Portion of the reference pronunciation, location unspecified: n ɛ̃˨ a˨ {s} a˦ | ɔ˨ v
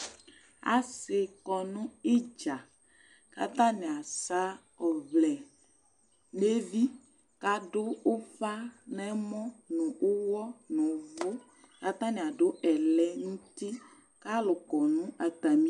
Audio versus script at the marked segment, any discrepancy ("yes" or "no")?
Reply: no